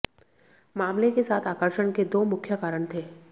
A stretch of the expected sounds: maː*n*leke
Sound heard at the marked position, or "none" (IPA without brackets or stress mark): m